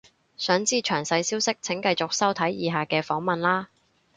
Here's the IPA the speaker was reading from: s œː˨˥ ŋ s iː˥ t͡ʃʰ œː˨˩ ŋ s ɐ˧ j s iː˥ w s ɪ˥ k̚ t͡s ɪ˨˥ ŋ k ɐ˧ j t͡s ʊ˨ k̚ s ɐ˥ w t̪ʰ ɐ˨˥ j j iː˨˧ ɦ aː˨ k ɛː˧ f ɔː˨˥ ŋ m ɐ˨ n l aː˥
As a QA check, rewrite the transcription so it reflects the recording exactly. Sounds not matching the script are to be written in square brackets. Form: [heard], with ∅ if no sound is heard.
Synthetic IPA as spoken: s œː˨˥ ŋ [t͡s] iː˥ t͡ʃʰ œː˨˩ ŋ s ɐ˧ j s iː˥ w s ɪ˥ k̚ [t͡sʰ] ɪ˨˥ ŋ k ɐ˧ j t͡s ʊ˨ k̚ s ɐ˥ w t̪ʰ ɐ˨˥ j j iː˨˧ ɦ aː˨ k ɛː˧ f ɔː˨˥ ŋ m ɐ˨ n l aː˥